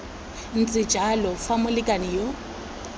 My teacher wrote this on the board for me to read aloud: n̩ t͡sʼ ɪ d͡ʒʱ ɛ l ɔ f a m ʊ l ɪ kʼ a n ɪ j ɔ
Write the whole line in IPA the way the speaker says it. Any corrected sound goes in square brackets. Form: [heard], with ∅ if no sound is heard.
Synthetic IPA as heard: n̩ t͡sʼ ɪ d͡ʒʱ [a] l ɔ f a m ʊ l ɪ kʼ a n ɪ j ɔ

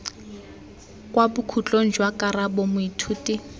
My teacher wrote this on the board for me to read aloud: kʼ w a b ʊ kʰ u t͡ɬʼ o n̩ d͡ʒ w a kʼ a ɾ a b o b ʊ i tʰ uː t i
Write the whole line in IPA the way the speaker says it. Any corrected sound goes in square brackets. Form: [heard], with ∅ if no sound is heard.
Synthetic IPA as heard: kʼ w a b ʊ kʰ u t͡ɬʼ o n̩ d͡ʒ w a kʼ a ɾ a b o [m] ʊ i tʰ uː t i

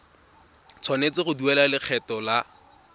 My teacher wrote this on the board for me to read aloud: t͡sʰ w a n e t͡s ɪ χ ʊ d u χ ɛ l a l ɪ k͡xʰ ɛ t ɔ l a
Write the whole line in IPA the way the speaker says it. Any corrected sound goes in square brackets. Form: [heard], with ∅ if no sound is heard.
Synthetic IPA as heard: t͡sʰ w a n e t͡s ɪ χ ʊ d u [∅] ɛ l a l ɪ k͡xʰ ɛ t ɔ l a

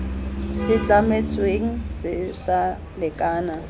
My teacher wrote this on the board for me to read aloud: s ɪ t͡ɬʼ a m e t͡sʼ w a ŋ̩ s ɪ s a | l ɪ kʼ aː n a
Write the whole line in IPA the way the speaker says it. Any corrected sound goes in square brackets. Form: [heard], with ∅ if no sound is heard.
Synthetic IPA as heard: s ɪ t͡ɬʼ a m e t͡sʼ w [e] ŋ̩ s ɪ s a | l ɪ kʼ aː n a

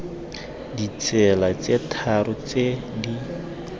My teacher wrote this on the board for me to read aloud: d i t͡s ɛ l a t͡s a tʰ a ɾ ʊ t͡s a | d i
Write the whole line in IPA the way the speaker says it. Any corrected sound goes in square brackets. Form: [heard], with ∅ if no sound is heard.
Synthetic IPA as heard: d i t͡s ɛ l a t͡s [e] tʰ a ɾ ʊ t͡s [e] | d i

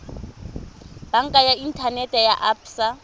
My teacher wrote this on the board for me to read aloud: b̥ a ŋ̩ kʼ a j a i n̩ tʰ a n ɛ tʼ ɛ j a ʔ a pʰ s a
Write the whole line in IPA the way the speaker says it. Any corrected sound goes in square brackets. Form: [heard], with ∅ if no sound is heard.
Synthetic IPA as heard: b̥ a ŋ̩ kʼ a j a i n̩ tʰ a n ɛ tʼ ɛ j a ʔ a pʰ s a

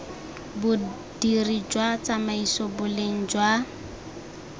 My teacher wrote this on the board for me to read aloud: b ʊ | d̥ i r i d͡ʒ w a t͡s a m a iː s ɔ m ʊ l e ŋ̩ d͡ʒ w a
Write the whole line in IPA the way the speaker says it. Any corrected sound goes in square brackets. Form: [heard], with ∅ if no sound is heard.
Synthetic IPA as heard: b ʊ | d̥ i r i d͡ʒ w a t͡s a m a [i] s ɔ [b] ʊ l e ŋ̩ d͡ʒ w a

